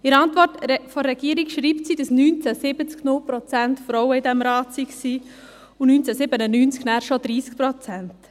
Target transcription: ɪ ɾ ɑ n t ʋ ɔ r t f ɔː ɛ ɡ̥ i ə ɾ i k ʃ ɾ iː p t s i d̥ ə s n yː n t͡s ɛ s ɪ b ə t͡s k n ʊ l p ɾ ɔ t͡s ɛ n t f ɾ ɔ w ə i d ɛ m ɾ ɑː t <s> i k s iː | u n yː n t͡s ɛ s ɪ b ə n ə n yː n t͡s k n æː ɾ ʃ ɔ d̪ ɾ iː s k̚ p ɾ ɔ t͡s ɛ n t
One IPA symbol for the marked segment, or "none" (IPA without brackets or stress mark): s